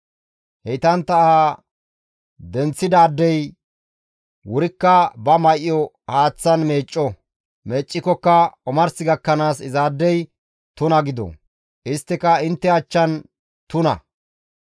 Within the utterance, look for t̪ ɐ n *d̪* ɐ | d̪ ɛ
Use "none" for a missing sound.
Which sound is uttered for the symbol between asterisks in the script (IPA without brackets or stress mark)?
t̪